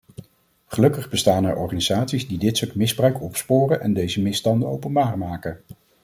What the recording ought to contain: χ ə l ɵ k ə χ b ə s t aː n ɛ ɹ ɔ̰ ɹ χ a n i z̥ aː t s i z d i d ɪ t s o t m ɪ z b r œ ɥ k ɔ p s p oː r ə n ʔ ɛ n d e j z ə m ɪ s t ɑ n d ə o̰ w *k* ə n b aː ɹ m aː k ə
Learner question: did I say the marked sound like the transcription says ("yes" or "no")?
no